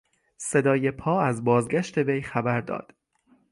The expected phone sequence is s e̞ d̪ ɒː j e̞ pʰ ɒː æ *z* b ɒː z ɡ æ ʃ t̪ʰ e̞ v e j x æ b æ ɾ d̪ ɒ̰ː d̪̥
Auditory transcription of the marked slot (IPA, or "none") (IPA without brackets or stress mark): z